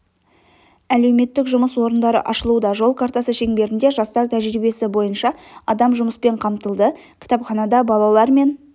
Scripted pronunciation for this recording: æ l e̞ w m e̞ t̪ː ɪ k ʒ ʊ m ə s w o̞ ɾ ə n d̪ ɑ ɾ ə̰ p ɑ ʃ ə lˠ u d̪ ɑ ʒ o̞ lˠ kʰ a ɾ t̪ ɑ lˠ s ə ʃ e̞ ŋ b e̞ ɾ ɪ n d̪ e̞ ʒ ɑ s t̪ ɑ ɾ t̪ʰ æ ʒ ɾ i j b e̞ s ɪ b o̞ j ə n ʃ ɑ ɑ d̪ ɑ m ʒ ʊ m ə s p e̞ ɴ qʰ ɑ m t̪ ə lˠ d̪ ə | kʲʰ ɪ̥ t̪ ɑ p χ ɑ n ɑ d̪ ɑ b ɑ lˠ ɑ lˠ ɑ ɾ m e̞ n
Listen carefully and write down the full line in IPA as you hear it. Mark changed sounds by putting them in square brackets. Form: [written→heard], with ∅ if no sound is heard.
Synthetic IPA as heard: æ l e̞ w m e̞ t̪ː ɪ k ʒ ʊ m ə s w o̞ ɾ ə n d̪ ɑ ɾ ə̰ [p→ʔ] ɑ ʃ ə lˠ u d̪ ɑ ʒ o̞ lˠ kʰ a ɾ t̪ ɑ [lˠ→∅] s ə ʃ e̞ ŋ b e̞ ɾ ɪ n d̪ e̞ ʒ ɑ s t̪ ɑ ɾ t̪ʰ æ ʒ ɾ i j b e̞ s ɪ b o̞ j ə n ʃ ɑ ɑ d̪ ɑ m ʒ ʊ m ə s p e̞ ɴ qʰ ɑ m t̪ ə lˠ d̪ ə | kʲʰ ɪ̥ t̪ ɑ p χ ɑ n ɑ d̪ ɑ b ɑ lˠ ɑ lˠ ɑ ɾ m e̞ n

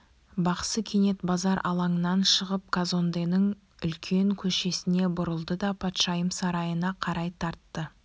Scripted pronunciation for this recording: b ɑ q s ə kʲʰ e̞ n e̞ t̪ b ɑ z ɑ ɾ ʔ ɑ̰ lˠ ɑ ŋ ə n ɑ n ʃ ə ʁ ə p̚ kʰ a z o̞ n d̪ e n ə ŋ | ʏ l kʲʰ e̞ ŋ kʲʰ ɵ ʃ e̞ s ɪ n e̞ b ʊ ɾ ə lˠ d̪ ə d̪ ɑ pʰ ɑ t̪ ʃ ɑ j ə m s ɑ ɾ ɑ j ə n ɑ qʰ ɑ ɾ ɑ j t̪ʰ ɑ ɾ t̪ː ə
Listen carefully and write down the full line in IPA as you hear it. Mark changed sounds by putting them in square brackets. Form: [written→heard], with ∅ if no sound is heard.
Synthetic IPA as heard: b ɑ q s ə kʲʰ e̞ n e̞ t̪ b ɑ z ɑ ɾ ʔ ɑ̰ lˠ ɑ ŋ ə n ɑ n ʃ ə ʁ ə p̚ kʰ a z o̞ n d̪ e n ə ŋ | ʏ l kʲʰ e̞ ŋ kʲʰ ɵ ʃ e̞ s ɪ n e̞ b ʊ ɾ ə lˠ d̪ ə d̪ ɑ pʰ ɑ t̪ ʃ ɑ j ə m s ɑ ɾ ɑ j ə n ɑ qʰ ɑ ɾ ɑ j t̪ʰ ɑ ɾ t̪ː ə

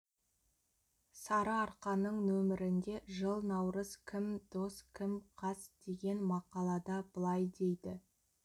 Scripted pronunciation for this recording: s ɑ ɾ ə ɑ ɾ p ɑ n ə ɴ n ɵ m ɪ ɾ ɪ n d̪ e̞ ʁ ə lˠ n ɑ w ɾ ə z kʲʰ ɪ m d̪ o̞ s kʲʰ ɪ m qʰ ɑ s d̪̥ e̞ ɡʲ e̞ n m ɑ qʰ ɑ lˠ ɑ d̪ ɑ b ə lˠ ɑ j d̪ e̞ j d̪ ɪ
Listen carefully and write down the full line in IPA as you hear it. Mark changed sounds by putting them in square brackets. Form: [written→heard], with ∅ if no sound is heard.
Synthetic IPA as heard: s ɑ ɾ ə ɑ ɾ [p→q] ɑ n ə ɴ n ɵ m ɪ ɾ ɪ n d̪ e̞ [ʁ→ʒ] ə lˠ n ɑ w ɾ ə z kʲʰ ɪ m d̪ o̞ s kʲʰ ɪ m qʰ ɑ s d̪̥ e̞ ɡʲ e̞ n m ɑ [qʰ→q] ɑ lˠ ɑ d̪ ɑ b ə lˠ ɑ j d̪ e̞ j d̪ ɪ

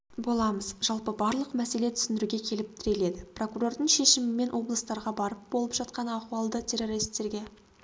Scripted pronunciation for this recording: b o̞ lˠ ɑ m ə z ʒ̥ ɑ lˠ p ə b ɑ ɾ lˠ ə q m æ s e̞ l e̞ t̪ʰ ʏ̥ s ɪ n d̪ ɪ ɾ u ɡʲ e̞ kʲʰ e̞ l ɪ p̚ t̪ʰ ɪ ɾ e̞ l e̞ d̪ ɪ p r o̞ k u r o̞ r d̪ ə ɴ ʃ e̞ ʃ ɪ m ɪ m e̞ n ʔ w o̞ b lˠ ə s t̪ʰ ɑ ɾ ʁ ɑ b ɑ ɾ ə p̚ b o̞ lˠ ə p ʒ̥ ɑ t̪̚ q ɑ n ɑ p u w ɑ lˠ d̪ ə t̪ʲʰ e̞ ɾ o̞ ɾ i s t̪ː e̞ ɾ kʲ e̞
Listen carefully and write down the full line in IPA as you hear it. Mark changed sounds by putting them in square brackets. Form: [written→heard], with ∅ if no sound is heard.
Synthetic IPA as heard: b o̞ lˠ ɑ m ə z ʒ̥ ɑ lˠ p ə b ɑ ɾ lˠ ə q m æ s e̞ l e̞ t̪ʰ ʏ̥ s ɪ n d̪ ɪ ɾ u ɡʲ e̞ kʲʰ e̞ l ɪ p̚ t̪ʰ ɪ ɾ e̞ l e̞ d̪ ɪ p r o̞ k u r o̞ r d̪ ə ɴ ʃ e̞ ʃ ɪ m ɪ m e̞ n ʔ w o̞ b lˠ ə s [t̪ʰ→t̪] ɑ ɾ ʁ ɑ b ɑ ɾ ə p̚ b o̞ lˠ ə p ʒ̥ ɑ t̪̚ q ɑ n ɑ [p→q] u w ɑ lˠ d̪ ə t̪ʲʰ e̞ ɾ o̞ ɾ i s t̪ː e̞ ɾ [kʲ→ɡʲ] e̞

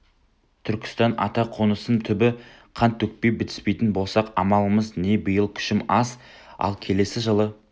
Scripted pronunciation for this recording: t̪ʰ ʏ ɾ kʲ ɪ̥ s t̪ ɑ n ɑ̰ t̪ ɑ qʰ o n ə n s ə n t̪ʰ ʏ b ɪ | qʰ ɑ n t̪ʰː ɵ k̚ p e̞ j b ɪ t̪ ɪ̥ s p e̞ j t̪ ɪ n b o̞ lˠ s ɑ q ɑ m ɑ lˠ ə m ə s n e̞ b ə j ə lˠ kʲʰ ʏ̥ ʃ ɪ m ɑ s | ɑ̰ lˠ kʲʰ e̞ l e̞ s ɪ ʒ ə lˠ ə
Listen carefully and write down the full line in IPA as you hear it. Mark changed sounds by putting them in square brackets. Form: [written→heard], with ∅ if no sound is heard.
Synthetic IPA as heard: t̪ʰ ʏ ɾ kʲ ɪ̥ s t̪ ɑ n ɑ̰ t̪ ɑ qʰ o n ə [n→∅] s ə n t̪ʰ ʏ b ɪ | qʰ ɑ n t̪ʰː ɵ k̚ p e̞ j b ɪ t̪ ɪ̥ s p e̞ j t̪ ɪ n b o̞ lˠ s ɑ q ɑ m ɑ lˠ ə m ə [s→z] n e̞ b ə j ə lˠ kʲʰ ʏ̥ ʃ ɪ m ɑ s | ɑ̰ lˠ kʲʰ e̞ l e̞ s ɪ ʒ ə lˠ ə

